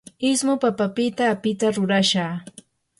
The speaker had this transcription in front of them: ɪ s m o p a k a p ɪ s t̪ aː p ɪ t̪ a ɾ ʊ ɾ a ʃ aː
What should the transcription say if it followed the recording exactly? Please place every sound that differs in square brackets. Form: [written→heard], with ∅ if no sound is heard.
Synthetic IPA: ɪ s m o p a [k→p] a p ɪ [s→∅] t̪ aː p ɪ t̪ a ɾ ʊ ɾ a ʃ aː

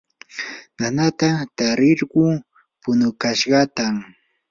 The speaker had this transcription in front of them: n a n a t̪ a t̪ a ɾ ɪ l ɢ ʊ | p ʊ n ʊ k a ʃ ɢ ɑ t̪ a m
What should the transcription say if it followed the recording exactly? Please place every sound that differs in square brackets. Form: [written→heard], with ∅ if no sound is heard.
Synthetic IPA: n a n a t̪ a t̪ a ɾ ɪ [l→ɾ] ɢ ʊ | p ʊ n ʊ k a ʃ ɢ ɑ t̪ a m

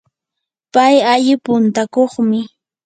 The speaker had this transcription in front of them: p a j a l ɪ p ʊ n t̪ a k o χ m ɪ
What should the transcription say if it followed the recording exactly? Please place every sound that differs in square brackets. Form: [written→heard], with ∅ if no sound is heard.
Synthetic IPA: p a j a [l→ʎ] ɪ p ʊ n t̪ a k o χ m ɪ

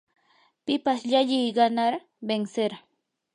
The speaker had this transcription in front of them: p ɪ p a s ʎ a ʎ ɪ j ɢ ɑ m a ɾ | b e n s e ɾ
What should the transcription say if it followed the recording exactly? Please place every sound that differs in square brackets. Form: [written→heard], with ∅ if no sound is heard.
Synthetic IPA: p ɪ p a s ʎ a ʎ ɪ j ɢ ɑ [m→n] a ɾ | b e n s e ɾ

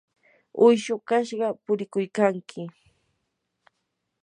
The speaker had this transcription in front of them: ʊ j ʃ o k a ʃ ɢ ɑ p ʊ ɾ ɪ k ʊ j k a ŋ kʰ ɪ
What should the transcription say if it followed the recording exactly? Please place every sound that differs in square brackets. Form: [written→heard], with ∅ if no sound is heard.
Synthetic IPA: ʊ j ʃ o k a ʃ ɢ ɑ p ʊ ɾ ɪ k ʊ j k a ŋ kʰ ɪ

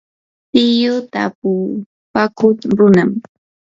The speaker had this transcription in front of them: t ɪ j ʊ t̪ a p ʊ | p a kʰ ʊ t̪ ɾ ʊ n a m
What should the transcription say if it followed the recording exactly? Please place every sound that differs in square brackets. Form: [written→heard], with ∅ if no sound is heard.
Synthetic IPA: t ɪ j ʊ t̪ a p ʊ | p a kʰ ʊ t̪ ɾ ʊ n a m

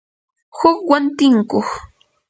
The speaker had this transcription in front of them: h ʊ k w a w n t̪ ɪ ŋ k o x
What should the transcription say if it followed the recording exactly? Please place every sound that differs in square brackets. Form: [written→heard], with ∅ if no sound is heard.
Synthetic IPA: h ʊ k w a [w→∅] n t̪ ɪ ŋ k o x

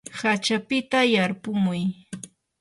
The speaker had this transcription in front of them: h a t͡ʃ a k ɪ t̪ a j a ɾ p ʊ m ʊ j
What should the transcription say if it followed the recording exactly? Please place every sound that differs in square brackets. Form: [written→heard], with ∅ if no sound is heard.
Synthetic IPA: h a t͡ʃ a [k→p] ɪ t̪ a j a ɾ p ʊ m ʊ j

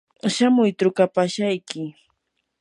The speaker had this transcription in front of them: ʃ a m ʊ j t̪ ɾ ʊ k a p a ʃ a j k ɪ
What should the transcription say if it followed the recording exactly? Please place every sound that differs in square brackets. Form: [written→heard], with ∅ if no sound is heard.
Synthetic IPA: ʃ a m ʊ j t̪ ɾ ʊ k a p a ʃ a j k ɪ

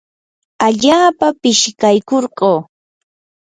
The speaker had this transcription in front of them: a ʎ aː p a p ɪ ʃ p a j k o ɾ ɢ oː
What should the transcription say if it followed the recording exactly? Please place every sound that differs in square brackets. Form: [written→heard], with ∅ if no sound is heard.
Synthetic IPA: a ʎ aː p a p ɪ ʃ [p→k] a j k o ɾ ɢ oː

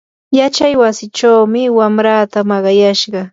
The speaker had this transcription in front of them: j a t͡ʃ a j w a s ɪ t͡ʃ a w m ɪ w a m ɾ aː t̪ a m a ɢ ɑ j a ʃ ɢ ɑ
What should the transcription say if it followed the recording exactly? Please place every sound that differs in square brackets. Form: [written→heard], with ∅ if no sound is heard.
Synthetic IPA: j a t͡ʃ a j w a s ɪ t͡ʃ a w m ɪ w a m ɾ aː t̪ a m [a→ɑ] ɢ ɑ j a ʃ ɢ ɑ

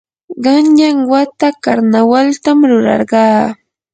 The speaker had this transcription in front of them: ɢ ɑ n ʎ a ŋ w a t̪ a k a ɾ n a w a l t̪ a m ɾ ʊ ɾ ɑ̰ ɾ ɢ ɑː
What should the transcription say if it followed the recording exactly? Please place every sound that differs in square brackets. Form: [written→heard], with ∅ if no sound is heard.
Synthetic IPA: ɢ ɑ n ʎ a ŋ w a t̪ a k a ɾ n a w a l t̪ a m ɾ ʊ ɾ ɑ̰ ɾ ɢ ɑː

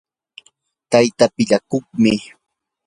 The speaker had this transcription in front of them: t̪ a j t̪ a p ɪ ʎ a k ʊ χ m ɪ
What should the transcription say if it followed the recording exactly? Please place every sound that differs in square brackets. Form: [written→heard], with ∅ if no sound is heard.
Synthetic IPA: t̪ a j t̪ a p ɪ ʎ a k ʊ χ m ɪ

